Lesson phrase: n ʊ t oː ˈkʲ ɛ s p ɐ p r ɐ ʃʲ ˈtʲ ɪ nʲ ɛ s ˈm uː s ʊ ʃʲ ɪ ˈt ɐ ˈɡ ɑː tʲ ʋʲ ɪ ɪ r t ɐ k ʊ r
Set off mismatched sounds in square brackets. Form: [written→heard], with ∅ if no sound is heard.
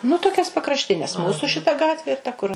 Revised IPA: n ʊ t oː ˈkʲ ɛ s p ɐ [p→k] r ɐ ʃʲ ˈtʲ ɪ nʲ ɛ s ˈm uː s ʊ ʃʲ ɪ ˈt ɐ ˈɡ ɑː tʲ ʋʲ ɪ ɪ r t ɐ k ʊ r